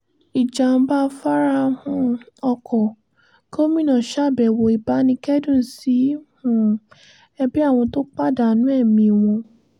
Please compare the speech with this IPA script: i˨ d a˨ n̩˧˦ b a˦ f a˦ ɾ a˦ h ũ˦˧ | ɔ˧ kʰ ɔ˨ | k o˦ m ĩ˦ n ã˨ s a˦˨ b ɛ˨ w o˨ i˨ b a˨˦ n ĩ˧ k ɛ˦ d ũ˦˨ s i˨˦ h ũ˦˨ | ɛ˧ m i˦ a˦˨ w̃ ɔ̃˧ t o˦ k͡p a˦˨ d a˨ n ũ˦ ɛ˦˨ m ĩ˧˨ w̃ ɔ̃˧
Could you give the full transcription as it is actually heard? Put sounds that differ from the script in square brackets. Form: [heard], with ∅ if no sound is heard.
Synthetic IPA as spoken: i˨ [d͡ʒ] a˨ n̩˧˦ b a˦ f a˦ ɾ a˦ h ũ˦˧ | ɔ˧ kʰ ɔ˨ | k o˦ m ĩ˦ n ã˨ [ʃ] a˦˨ b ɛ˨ w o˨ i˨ b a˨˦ n ĩ˧ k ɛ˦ d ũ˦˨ s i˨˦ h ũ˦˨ | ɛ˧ [b] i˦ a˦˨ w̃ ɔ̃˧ t o˦ k͡p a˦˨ d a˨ n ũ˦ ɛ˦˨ m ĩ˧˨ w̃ ɔ̃˧